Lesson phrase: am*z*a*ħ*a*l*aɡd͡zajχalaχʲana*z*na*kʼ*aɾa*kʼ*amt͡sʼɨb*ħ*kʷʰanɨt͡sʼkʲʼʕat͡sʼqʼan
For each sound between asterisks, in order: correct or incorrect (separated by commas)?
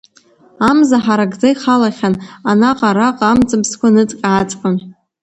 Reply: correct, correct, incorrect, incorrect, incorrect, incorrect, incorrect